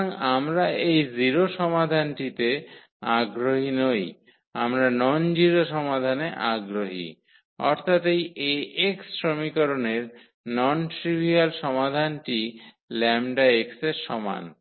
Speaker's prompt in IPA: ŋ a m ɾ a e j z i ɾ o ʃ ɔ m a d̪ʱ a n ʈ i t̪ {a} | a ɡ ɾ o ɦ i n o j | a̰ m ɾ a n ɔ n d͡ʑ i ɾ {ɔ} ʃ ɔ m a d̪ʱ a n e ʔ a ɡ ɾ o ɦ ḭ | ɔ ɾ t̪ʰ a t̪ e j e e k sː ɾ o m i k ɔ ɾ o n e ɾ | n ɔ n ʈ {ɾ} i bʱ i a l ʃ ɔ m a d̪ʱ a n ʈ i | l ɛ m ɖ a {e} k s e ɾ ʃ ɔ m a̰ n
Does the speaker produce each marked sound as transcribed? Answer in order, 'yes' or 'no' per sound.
no, no, yes, yes

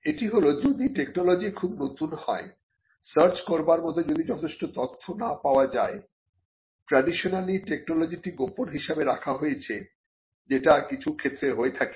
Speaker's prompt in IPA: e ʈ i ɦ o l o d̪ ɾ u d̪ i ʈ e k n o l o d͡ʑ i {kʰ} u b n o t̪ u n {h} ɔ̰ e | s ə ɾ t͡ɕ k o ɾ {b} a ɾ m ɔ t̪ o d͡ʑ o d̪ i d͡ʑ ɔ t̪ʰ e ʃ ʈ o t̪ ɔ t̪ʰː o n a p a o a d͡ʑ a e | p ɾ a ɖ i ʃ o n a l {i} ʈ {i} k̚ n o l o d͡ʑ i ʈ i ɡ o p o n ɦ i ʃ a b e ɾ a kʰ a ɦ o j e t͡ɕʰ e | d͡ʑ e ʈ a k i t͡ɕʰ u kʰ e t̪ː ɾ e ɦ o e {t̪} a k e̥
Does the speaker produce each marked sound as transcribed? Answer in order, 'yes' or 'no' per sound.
yes, yes, yes, yes, no, no

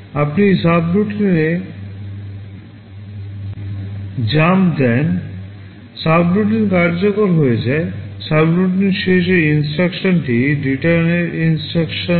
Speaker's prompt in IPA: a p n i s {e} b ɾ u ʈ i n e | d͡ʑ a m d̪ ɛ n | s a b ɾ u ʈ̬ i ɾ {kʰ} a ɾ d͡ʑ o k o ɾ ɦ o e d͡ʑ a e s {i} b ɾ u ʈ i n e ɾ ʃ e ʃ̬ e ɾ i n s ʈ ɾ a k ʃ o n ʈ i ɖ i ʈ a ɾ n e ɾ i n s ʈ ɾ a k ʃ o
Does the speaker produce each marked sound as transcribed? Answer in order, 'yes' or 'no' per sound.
no, no, no

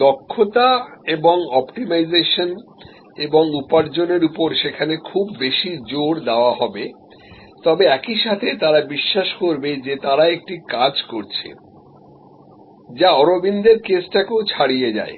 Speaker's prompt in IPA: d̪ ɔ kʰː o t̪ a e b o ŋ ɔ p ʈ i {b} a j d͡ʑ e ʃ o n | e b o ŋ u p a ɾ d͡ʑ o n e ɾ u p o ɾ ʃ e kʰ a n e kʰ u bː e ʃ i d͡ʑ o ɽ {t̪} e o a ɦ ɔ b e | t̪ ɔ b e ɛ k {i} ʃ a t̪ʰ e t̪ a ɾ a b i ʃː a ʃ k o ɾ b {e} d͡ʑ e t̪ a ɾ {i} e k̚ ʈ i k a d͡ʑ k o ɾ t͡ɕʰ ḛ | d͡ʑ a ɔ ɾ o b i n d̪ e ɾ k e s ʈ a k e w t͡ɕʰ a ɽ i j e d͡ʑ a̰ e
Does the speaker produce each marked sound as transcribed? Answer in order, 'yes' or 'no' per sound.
no, no, yes, yes, no

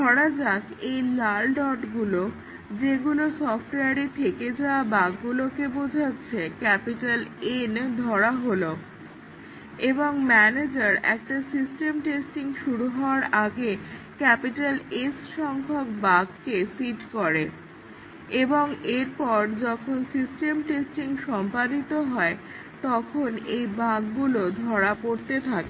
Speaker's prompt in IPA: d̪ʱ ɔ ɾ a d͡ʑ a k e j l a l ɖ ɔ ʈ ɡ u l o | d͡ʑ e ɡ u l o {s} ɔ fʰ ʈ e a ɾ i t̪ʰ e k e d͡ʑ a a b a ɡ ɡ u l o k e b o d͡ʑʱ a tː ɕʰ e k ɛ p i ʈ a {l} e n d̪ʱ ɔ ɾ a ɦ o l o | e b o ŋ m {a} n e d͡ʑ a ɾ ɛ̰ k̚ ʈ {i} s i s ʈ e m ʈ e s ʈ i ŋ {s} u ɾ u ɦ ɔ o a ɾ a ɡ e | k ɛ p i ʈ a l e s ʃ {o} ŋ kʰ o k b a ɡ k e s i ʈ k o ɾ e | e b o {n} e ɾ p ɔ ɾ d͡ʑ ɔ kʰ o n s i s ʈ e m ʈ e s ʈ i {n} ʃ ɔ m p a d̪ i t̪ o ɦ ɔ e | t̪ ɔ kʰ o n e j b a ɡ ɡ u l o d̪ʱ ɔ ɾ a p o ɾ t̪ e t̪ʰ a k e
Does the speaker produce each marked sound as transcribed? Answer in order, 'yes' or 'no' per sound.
yes, yes, no, no, no, no, no, no

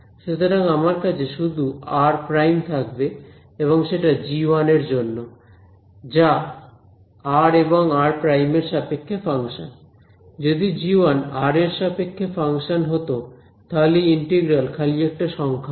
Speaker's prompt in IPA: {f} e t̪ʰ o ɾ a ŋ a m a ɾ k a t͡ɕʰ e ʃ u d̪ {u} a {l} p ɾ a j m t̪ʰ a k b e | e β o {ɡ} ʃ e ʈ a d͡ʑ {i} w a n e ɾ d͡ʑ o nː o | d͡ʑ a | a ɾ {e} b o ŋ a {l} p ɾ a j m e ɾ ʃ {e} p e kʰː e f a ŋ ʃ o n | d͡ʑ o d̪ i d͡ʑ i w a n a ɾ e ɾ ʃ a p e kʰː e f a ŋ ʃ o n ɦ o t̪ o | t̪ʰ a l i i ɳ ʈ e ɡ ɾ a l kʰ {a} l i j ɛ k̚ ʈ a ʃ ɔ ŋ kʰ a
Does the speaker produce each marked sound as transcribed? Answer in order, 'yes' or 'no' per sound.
no, yes, no, no, yes, yes, no, no, yes

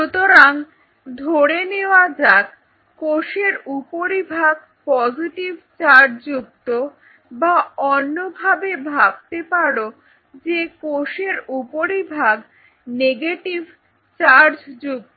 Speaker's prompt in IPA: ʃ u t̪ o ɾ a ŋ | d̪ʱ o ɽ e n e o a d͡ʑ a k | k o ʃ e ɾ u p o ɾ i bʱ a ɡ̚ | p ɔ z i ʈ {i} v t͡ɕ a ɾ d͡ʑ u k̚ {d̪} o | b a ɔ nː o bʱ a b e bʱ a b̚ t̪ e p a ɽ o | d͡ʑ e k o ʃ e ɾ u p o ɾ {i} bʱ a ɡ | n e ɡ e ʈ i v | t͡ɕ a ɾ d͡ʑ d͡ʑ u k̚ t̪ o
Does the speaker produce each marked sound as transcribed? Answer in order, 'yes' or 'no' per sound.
yes, no, yes

